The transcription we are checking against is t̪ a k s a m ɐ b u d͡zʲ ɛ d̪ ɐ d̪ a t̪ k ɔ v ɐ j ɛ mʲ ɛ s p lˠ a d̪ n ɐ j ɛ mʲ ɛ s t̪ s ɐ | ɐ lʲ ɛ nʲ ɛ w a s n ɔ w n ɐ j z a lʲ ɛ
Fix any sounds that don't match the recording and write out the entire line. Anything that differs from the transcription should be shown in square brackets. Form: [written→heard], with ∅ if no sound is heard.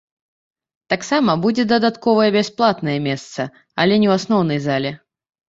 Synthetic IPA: t̪ a k s a m ɐ b u d͡zʲ ɛ d̪ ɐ d̪ a t̪ k ɔ v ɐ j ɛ [mʲ→bʲ] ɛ s p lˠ a [d̪→t̪] n ɐ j ɛ mʲ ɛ s t̪ s ɐ | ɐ lʲ ɛ nʲ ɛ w a s n ɔ w n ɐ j z a lʲ ɛ